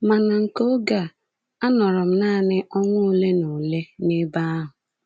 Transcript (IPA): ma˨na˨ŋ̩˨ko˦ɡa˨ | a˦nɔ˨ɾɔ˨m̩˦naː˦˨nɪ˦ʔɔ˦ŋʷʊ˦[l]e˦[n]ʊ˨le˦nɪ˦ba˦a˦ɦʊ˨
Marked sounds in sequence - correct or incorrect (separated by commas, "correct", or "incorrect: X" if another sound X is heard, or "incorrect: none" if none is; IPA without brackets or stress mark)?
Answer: correct, correct